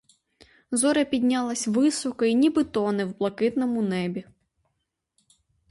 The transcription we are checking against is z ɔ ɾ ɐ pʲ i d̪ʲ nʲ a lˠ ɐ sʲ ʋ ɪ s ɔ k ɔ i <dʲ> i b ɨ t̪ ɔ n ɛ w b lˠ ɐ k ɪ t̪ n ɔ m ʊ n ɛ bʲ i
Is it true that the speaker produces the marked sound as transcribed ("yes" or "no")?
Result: no